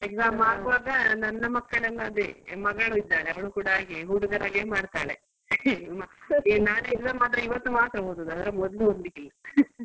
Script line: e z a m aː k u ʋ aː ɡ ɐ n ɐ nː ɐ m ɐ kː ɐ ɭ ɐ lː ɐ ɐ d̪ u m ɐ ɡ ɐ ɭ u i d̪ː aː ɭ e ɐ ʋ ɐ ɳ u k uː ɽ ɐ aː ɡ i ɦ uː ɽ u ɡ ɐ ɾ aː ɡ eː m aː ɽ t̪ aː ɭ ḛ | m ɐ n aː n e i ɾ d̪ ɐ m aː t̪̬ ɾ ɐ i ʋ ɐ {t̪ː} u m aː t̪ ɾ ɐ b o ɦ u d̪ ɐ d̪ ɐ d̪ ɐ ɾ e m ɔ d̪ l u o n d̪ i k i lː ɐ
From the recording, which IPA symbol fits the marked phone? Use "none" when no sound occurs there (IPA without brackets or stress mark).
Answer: t̪ː